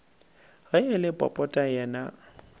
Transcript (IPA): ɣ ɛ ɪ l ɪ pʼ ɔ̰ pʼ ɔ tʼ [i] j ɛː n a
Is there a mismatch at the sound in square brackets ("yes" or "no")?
yes